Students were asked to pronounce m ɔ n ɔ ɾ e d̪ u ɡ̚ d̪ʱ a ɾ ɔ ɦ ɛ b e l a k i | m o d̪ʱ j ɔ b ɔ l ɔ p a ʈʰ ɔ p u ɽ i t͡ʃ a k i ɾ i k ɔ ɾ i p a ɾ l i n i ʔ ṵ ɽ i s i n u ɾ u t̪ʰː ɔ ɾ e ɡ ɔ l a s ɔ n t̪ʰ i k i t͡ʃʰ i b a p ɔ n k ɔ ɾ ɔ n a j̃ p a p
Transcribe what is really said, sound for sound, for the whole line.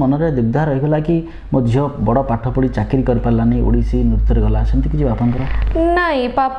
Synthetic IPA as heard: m ɔ n ɔ ɾ e d̪ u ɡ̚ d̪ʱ a ɾ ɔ ɦ i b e l a k i | m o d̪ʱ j ɔ b ɔ ɽ ɔ p a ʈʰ ɔ p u ɽ i t͡ʃ a k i ɾ i k ɔ ɾ i p a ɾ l a n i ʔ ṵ ɽ i s i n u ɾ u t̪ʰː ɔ ɾ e ɡ ɔ l a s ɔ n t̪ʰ i k i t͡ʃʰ i b a p ɔ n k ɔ ɾ ɔ n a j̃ p a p